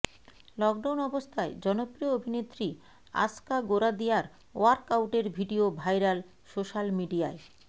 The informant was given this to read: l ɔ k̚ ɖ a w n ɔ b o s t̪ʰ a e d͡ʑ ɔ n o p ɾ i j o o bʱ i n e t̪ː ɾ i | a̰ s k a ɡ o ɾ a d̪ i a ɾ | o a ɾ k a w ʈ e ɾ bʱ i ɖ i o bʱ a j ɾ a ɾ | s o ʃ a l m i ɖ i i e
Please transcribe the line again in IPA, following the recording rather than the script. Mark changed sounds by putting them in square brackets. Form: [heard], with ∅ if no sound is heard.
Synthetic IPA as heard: l ɔ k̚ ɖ a w n ɔ b o s t̪ʰ a e d͡ʑ ɔ n o p ɾ i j o o bʱ i n e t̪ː ɾ i | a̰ s k a ɡ o ɾ a d̪ i a ɾ | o a ɾ k a w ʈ e ɾ bʱ i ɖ i o bʱ a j ɾ a [l] | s o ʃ a l m i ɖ i [a] e